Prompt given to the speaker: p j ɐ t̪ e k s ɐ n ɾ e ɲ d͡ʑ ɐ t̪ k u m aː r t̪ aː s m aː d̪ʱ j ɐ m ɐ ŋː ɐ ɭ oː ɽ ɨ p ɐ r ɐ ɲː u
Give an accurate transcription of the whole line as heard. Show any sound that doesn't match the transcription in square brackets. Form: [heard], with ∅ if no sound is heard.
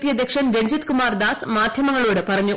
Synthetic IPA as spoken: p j ɐ [d̪] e k [ʂ] ɐ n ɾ e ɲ d͡ʑ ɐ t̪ k u m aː r [d̪] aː s m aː d̪ʱ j ɐ m ɐ ŋː ɐ ɭ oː ɽ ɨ p ɐ r ɐ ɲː u